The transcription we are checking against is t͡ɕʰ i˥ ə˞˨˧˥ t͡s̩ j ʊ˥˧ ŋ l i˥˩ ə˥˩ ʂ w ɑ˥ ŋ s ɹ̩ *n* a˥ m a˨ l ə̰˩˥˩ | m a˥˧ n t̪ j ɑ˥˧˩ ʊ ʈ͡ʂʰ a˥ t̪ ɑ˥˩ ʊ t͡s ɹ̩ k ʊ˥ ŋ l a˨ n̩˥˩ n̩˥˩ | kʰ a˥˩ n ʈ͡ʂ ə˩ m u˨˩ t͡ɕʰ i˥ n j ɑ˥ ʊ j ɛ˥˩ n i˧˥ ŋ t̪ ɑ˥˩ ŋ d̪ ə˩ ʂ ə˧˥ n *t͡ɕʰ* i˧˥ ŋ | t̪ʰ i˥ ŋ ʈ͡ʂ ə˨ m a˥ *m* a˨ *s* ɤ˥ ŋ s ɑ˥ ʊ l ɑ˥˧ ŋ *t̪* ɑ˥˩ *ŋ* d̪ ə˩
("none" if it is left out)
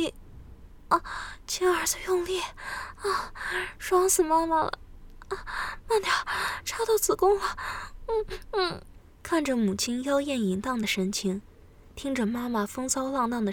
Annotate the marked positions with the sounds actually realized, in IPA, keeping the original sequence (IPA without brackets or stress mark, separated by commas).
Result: m, t͡ɕʰ, m, f, t̪, ŋ